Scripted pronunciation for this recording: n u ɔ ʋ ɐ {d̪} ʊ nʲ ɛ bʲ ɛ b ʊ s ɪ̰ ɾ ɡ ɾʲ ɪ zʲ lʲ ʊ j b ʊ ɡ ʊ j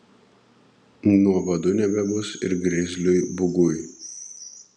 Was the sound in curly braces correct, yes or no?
yes